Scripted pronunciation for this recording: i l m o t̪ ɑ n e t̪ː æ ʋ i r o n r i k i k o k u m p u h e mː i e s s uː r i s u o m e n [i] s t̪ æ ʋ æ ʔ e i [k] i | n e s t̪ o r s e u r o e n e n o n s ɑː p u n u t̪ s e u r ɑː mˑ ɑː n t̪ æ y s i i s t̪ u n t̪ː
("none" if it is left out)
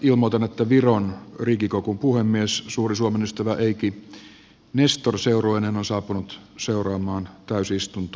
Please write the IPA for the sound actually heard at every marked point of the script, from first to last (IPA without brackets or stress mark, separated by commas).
y, k